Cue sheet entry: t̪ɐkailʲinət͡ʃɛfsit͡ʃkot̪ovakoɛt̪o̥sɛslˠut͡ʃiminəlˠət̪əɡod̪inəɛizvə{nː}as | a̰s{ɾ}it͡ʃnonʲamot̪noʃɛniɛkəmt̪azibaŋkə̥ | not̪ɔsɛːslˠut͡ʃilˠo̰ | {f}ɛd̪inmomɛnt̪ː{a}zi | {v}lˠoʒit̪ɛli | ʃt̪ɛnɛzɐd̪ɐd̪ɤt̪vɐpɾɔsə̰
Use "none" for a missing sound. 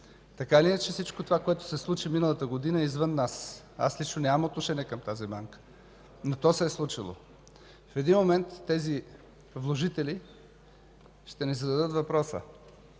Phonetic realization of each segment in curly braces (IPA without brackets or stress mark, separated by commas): nː, l, f, ɛ, v